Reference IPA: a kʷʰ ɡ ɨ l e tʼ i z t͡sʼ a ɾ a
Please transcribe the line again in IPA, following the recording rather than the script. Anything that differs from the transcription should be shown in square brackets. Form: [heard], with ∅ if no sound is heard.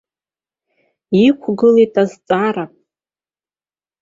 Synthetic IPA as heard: [i] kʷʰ ɡ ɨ l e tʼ [a] z t͡sʼ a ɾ a